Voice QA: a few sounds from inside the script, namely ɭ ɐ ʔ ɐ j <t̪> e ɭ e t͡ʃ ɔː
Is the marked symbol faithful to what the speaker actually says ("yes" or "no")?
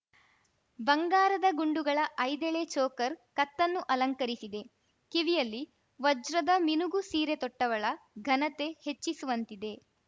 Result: no